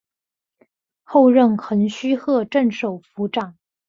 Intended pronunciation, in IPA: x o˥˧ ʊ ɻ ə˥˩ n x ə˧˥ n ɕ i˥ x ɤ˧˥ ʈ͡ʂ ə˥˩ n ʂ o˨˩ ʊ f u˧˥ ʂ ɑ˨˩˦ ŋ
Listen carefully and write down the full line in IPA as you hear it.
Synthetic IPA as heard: x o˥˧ ʊ ɻ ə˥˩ n x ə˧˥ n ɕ y˥ x ɤ˥˧ ʈ͡ʂ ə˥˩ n ʂ o˨˩ ʊ f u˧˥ ʈ͡ʂ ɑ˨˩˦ ŋ